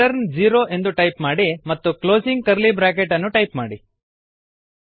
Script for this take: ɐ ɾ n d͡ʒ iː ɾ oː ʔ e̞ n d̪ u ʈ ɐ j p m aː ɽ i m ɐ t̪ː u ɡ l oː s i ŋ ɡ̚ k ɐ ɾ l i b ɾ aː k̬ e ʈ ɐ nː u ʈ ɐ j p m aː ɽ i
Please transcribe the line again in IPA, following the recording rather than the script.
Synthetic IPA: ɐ ɾ n d͡ʒ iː ɾ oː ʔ e̞ n d̪ u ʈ ɐ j p m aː ɽ i m ɐ t̪ː u k l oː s i ŋ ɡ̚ k ɐ ɾ l i b ɾ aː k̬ e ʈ ɐ nː u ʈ ɐ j p m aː ɽ i